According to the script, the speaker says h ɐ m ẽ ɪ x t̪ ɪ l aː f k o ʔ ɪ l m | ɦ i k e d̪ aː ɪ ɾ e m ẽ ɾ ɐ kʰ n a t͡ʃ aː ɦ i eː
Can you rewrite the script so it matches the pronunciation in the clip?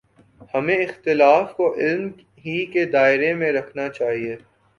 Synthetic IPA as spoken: h ɐ m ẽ ɪ x t̪ ɪ l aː f k o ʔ ɪ l m | ɦ i k e d̪ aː ɪ ɾ e m ẽ ɾ ɐ kʰ n a t͡ʃ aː ɦ i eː